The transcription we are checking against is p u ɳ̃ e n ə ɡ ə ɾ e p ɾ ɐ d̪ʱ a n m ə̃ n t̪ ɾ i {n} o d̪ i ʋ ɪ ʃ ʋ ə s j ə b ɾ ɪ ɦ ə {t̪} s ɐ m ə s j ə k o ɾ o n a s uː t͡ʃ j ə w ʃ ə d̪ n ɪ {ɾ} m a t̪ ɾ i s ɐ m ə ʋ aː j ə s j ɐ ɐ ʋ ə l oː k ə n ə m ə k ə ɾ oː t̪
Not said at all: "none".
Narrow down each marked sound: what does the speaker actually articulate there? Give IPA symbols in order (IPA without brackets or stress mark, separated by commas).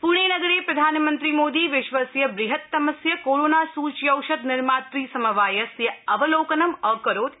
m, t̪, ɾ